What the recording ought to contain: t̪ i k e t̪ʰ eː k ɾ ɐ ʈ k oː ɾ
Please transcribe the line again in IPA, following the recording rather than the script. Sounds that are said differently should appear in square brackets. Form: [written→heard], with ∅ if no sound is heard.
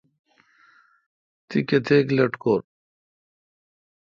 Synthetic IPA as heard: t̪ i k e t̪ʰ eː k [ɾ→l] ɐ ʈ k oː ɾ

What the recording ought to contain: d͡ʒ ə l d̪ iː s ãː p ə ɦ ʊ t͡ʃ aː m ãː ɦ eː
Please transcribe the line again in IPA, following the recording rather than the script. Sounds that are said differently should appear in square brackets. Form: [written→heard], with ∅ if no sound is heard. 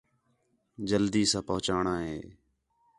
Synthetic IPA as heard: d͡ʒ ə l d̪ iː s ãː p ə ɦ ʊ t͡ʃ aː [m→ɳ] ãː ɦ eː

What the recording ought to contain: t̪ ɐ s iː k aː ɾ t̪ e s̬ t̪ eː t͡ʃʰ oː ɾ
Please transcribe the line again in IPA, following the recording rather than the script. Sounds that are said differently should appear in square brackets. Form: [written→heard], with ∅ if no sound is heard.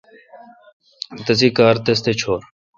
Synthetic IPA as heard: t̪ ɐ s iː k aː ɾ t̪ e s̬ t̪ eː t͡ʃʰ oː ɾ

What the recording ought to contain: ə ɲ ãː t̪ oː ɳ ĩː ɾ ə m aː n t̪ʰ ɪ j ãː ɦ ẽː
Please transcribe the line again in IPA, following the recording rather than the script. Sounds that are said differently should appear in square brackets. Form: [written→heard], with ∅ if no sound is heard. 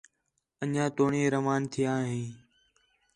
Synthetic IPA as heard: ə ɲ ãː t̪ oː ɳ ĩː ɾ ə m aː n t̪ʰ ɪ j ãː ɦ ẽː

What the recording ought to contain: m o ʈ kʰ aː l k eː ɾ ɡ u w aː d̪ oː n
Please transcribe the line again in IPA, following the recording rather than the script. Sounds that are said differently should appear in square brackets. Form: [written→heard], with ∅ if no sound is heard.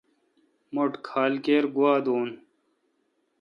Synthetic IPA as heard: m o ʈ kʰ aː l k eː ɾ ɡ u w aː d̪ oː n

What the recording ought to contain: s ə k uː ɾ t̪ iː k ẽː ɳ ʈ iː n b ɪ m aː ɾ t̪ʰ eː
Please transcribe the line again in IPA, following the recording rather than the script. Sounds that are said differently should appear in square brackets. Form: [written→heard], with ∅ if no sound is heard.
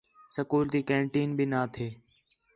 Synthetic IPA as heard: s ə k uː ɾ t̪ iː k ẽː ɳ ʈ iː n b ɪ [m→n] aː [ɾ→∅] t̪ʰ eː

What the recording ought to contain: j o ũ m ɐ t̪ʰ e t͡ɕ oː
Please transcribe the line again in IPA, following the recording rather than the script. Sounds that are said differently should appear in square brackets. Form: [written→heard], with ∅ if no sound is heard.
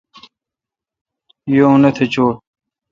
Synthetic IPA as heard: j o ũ [m→n] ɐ t̪ʰ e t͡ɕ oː

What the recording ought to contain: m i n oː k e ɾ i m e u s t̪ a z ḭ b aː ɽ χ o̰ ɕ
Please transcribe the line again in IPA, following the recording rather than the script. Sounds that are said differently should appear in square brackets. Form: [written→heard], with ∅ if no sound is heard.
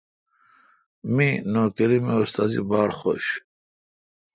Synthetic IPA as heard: m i n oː k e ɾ i m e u s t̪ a z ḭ b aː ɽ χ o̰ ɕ

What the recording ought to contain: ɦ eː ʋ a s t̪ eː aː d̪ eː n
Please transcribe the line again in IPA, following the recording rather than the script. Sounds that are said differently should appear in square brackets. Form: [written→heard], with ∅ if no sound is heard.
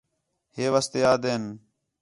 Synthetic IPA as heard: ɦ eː ʋ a s t̪ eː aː d̪ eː n

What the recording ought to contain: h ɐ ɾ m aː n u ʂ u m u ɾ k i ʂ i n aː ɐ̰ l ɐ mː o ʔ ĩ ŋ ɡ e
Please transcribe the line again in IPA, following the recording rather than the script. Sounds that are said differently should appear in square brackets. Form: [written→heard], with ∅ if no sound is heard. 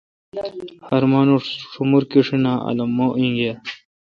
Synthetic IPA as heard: h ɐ ɾ m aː n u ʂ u m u ɾ k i ʂ i n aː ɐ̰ l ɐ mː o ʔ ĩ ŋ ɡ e

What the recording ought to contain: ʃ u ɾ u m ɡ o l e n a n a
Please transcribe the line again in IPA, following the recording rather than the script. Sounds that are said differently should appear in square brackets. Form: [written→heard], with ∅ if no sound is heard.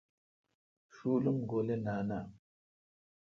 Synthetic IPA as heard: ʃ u [ɾ→l] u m ɡ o l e n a n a

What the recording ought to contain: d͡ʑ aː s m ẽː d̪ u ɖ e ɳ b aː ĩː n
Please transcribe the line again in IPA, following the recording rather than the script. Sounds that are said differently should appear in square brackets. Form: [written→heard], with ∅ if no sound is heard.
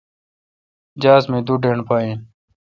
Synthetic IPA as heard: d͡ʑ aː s m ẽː d̪ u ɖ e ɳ [b→p] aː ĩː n

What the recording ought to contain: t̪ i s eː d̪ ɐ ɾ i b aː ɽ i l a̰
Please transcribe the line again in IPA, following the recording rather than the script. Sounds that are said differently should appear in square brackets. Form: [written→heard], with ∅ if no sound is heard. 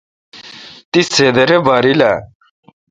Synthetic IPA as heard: t̪ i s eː d̪ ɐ ɾ [i→e] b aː [ɽ→ɾ] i l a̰

